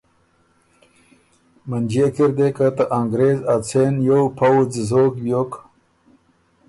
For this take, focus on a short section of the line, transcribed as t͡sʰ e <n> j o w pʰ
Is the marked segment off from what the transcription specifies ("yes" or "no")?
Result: no